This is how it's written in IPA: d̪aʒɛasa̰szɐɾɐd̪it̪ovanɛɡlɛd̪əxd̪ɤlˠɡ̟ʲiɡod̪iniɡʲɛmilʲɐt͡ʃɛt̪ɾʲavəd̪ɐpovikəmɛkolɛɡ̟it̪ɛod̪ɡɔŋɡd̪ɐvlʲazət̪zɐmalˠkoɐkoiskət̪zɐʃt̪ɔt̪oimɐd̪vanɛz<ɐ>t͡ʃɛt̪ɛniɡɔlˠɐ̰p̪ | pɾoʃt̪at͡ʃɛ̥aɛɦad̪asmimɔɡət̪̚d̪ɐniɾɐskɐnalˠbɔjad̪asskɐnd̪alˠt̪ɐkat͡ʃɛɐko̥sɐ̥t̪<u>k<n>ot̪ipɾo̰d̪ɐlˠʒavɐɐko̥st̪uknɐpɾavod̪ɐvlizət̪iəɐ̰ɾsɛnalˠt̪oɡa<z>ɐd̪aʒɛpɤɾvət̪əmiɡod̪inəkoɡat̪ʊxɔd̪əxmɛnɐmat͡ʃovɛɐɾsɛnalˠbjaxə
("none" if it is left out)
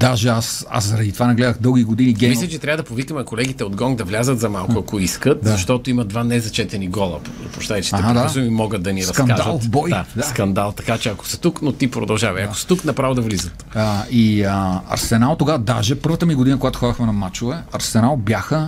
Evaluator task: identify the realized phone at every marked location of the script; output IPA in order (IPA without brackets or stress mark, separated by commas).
ɐ, u, n, v